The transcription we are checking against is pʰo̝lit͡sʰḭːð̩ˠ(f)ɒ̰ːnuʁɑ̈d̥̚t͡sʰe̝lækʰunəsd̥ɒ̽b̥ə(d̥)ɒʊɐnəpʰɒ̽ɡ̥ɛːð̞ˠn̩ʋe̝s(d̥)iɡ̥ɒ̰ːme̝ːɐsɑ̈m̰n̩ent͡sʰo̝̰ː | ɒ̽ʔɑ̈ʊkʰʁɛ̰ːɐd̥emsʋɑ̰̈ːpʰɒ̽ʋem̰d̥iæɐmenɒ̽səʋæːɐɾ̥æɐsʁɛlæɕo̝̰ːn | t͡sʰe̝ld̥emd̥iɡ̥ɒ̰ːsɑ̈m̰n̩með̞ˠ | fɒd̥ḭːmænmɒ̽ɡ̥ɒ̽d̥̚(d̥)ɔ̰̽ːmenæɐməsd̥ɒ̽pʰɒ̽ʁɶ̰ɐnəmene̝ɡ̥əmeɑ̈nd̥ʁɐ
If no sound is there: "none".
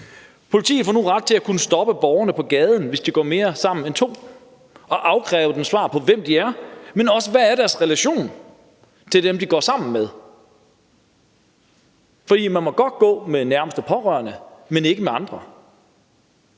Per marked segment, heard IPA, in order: f, b̥, d̥, ɡ̥

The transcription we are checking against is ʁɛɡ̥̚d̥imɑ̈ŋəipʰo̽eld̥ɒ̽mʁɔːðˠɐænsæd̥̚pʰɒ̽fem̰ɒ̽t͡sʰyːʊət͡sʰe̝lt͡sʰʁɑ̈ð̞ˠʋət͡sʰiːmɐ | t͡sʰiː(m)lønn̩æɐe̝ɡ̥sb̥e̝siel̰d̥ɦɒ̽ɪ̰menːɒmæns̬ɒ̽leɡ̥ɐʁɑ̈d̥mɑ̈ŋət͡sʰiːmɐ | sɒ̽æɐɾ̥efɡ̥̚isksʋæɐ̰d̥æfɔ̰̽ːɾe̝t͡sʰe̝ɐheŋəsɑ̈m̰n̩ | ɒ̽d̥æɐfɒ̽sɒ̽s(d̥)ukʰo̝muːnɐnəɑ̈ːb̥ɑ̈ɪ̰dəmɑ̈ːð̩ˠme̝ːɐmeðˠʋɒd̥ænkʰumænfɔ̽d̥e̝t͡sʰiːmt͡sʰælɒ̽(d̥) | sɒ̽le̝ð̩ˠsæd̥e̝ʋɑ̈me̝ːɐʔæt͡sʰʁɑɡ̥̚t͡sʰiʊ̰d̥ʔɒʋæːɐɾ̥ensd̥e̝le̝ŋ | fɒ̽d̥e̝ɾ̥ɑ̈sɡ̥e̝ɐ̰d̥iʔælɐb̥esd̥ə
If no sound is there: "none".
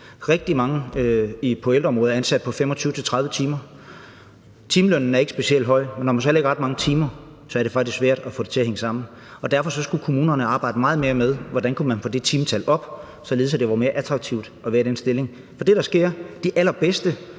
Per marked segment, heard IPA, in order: m, ɡ̥, b̥

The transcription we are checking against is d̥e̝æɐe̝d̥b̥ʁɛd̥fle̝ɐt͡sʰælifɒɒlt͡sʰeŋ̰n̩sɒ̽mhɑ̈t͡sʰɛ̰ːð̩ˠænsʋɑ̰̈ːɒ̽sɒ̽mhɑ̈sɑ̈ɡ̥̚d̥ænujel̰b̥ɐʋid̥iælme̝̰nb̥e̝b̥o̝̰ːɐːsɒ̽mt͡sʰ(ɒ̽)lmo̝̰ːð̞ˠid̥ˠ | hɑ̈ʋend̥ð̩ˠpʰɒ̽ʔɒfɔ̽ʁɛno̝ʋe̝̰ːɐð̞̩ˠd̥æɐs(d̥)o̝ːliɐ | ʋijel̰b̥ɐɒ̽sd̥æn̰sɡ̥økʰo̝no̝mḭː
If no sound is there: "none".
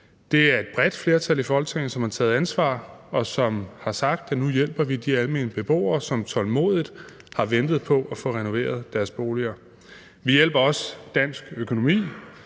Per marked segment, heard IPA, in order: ɒ̽, b̥

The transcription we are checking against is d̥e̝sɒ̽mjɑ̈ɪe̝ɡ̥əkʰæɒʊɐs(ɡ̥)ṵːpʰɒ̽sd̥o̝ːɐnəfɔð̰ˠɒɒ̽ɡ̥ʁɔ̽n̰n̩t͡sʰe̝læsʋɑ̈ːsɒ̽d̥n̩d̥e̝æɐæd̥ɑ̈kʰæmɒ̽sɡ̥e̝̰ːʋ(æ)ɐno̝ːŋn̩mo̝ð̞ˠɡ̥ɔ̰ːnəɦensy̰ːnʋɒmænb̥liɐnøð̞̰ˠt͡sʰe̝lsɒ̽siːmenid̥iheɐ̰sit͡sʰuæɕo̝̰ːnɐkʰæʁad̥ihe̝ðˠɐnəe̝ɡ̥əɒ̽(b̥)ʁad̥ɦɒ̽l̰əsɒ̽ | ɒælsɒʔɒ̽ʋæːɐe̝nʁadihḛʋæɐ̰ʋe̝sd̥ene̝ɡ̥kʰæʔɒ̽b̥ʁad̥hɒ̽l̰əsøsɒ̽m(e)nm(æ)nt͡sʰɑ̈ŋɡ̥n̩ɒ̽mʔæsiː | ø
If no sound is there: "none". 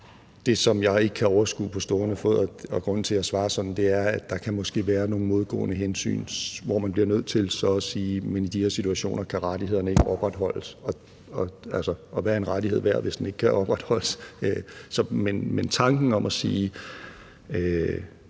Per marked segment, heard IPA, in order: ɡ̥, æː, b̥, e, e

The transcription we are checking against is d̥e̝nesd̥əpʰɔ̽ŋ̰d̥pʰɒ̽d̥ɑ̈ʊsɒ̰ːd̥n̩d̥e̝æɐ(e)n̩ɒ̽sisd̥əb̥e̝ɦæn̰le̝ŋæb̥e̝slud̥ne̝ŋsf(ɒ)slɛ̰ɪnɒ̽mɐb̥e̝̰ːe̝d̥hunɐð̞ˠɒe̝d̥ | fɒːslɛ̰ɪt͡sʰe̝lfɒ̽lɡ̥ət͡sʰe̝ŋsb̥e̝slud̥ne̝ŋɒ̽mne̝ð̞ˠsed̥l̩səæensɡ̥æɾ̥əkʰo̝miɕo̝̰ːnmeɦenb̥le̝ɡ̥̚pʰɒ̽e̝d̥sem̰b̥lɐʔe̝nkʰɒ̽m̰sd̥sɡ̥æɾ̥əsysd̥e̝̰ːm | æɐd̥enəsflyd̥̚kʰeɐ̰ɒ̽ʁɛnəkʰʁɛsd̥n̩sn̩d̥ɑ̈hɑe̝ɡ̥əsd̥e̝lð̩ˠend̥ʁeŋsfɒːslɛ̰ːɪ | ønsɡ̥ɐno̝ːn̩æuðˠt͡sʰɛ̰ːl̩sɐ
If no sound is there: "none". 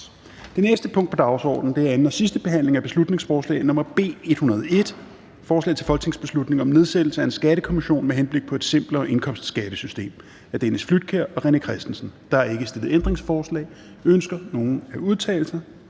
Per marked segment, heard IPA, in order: e, ɒː

